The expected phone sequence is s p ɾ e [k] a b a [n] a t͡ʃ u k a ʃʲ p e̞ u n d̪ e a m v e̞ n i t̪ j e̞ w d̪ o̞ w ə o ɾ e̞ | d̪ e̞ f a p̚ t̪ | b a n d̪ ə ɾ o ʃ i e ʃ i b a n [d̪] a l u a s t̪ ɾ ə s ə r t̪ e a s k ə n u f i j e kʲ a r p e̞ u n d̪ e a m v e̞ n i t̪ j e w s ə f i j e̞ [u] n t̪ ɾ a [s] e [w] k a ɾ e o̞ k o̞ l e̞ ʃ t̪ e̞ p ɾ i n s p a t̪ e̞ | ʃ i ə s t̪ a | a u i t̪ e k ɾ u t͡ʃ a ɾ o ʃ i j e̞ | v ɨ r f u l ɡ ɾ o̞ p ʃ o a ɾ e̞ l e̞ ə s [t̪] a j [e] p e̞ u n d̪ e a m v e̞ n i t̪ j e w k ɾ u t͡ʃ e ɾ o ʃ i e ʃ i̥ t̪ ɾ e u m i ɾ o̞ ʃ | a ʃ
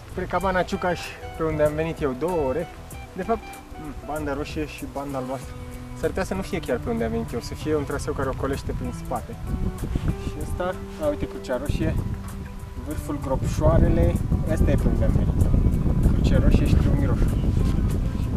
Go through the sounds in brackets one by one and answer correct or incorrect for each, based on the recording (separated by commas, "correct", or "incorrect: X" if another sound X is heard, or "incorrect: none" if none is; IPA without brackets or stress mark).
correct, correct, correct, correct, correct, correct, correct, correct